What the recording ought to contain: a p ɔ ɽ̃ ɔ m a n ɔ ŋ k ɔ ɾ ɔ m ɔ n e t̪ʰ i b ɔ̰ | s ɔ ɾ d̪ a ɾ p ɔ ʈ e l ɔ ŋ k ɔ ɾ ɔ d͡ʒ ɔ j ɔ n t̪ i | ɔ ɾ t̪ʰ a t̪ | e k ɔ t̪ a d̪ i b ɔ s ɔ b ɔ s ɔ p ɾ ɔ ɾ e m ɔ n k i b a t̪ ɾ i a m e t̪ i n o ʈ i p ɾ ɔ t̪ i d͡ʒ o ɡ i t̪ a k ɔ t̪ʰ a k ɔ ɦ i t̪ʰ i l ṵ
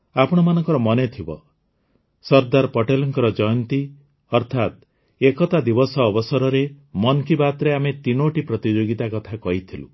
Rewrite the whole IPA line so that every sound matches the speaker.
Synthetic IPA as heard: a p ɔ ɽ̃ ɔ m a n ɔ ŋ k ɔ ɾ ɔ m ɔ n e t̪ʰ i b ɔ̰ | s ɔ ɾ d̪ a ɾ p ɔ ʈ e l ɔ ŋ k ɔ ɾ ɔ d͡ʒ ɔ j ɔ n t̪ i | ɔ ɾ t̪ʰ a t̪ | e k ɔ t̪ a d̪ i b ɔ s ɔː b ɔ s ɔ ɾ ɔ ɾ e m ɔ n k i b a t̪ ɾ e a m e t̪ i n o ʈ i p ɾ ɔ t̪ i d͡ʒ o ɡ i t̪ a k ɔ t̪ʰ a k ɔ ɦ i t̪ʰ i l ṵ